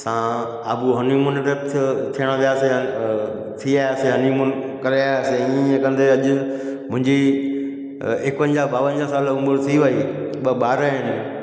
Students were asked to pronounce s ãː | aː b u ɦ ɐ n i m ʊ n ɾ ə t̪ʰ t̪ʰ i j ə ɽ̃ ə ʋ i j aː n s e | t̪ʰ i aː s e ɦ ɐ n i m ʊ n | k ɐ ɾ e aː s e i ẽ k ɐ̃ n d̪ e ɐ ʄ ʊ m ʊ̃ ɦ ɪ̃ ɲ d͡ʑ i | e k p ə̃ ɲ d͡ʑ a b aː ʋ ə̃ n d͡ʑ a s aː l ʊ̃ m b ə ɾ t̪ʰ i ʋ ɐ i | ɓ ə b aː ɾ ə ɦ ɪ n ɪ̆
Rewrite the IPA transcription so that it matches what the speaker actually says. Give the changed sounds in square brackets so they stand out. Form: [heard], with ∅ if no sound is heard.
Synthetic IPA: s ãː | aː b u ɦ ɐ n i m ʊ n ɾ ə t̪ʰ t̪ʰ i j ə ɽ̃ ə ʋ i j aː [∅] s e | t̪ʰ i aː s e ɦ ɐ n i m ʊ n | k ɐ ɾ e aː s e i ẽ k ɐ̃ n d̪ e ɐ ʄ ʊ m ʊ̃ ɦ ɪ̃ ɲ d͡ʑ i | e k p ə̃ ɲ d͡ʑ a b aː ʋ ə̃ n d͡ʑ a s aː l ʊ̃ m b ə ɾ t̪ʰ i ʋ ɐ i | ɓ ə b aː ɾ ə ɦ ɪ n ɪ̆